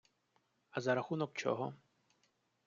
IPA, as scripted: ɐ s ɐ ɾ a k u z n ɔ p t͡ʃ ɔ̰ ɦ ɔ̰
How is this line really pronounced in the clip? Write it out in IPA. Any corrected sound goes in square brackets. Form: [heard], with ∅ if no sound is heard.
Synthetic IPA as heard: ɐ [z] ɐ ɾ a [x] u [∅] n ɔ [k] t͡ʃ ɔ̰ ɦ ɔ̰